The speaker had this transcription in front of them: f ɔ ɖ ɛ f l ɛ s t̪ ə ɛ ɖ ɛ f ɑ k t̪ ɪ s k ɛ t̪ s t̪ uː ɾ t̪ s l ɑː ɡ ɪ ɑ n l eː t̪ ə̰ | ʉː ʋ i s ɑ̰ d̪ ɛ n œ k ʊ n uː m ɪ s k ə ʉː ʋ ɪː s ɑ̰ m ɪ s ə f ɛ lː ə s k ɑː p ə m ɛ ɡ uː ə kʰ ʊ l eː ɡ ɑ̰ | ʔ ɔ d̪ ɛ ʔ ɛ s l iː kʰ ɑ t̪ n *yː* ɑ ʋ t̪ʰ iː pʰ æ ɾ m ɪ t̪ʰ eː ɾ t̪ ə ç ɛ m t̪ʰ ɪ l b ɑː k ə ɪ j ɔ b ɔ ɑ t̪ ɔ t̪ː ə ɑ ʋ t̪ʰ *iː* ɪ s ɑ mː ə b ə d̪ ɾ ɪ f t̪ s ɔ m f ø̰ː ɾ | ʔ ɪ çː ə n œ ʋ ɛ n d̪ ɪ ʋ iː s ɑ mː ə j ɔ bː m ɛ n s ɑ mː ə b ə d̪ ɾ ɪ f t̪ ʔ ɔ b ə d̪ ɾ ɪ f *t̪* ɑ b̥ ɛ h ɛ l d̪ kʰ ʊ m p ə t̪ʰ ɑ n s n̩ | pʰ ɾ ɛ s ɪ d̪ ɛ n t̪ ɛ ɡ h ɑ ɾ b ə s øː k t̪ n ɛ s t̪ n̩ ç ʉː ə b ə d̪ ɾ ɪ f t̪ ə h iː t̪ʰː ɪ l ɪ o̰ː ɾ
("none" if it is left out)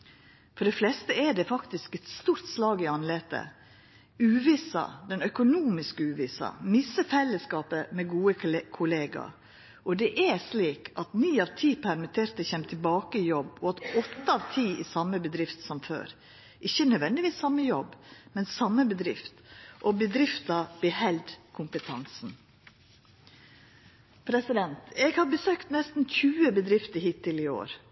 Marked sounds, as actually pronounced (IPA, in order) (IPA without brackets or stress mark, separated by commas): iː, iː, t̪